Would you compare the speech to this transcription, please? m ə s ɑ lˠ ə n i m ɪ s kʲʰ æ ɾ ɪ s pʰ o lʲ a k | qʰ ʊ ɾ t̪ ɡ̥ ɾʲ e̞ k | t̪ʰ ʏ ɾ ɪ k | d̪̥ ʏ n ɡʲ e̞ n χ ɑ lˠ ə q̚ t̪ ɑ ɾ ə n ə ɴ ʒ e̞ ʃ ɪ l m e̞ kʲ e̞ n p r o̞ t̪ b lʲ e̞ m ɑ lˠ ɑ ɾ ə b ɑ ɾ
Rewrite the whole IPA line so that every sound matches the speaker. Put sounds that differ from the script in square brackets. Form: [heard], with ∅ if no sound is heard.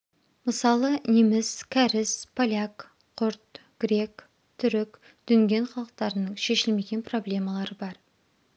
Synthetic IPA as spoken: m ə s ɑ lˠ ə n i m ɪ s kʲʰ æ ɾ ɪ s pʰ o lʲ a k | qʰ ʊ ɾ t̪ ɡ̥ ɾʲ e̞ k | t̪ʰ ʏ ɾ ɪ k | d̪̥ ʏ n ɡʲ e̞ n χ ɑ lˠ ə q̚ t̪ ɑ ɾ ə n ə ɴ [ʃ] e̞ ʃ ɪ l m e̞ [ɡʲ] e̞ n p r o̞ [∅] b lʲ e̞ m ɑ lˠ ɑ ɾ ə b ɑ ɾ